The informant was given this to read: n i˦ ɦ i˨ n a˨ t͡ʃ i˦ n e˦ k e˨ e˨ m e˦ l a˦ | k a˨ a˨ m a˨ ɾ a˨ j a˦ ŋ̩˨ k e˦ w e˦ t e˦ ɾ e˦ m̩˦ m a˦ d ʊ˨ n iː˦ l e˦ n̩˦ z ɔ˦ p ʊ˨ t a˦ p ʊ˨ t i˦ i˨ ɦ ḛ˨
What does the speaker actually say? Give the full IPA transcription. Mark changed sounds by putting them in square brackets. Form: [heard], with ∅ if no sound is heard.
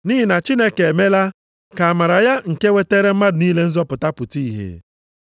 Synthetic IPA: n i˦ ɦ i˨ n a˨ t͡ʃ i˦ n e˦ k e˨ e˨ m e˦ l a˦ | k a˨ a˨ m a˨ ɾ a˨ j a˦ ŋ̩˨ k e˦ w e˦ t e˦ ɾ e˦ m̩˦ m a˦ d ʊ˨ n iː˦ l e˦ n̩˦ z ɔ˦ p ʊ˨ t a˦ p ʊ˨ t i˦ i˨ ɦ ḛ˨